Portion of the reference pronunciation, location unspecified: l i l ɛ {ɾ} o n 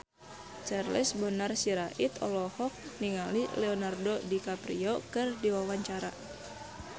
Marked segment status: incorrect: none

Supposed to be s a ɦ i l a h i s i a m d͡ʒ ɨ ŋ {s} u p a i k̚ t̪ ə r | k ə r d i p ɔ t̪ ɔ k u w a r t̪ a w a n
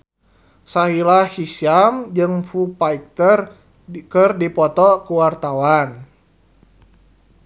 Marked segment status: incorrect: f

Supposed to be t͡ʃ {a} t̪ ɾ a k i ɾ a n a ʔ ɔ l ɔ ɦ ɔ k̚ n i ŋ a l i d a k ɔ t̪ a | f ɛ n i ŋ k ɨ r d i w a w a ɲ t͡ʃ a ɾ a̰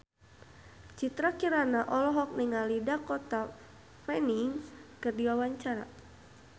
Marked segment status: incorrect: i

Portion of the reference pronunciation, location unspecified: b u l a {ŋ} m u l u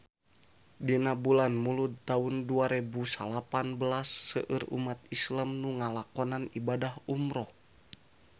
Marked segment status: incorrect: n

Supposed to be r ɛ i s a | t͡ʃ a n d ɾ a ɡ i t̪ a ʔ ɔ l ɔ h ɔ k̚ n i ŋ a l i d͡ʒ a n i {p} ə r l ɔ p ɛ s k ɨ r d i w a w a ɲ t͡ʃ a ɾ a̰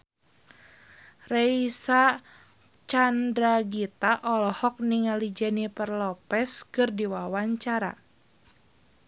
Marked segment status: correct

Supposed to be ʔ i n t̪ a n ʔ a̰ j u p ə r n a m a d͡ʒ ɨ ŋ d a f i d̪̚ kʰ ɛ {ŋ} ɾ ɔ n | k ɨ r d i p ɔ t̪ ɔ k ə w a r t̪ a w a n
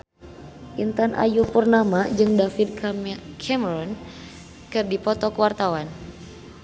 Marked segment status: incorrect: m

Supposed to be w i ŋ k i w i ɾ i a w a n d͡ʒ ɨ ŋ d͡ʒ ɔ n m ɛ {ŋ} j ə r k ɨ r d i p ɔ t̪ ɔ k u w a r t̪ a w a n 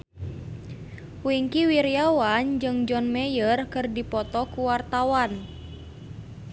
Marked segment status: incorrect: none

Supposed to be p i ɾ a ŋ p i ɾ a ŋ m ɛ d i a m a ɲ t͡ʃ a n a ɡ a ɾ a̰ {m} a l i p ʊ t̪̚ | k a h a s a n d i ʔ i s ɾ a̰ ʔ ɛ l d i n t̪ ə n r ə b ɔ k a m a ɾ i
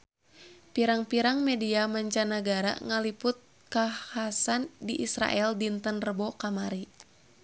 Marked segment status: incorrect: ŋ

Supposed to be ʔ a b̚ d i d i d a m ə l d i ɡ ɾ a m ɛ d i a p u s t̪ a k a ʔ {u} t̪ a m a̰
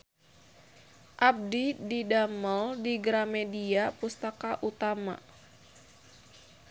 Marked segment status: correct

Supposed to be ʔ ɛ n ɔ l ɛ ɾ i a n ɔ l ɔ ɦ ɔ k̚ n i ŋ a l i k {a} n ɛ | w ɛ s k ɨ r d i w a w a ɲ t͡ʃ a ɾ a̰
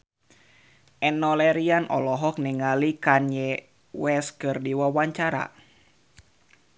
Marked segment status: correct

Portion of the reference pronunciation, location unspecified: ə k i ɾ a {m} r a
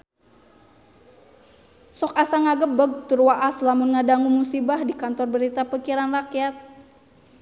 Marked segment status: incorrect: n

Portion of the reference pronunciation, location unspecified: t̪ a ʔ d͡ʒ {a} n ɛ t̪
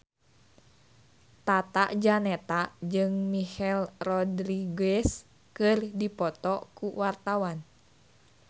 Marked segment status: correct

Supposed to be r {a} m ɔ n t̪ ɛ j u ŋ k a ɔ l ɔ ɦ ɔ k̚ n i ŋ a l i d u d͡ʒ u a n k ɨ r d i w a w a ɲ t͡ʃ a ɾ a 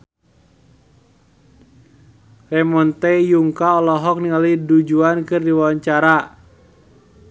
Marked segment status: incorrect: ɛ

